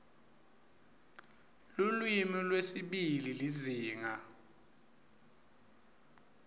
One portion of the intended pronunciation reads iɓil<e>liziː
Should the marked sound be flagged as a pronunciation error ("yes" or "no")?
yes